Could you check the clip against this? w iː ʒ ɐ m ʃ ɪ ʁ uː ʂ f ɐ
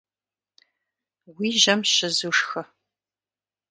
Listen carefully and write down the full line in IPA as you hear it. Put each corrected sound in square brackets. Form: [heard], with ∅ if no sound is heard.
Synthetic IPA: w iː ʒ ɐ m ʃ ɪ [z] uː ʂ [x] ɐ